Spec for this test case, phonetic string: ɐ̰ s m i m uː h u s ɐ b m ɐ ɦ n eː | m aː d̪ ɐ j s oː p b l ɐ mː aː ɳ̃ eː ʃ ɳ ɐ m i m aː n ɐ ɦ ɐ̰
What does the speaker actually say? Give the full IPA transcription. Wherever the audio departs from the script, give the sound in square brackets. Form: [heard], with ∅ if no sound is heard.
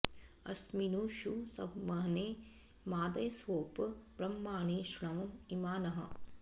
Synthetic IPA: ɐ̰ s m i [n] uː [ʃ] u s ɐ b m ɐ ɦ n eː | m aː d̪ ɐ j s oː p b [ɾ] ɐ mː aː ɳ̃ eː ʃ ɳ ɐ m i m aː n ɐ ɦ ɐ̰